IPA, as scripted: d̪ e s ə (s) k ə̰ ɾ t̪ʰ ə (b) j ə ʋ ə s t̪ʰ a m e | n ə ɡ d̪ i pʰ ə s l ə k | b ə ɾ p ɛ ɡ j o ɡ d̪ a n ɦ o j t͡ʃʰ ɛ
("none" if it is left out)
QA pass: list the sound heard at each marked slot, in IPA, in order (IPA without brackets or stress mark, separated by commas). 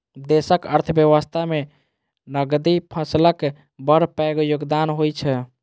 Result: none, b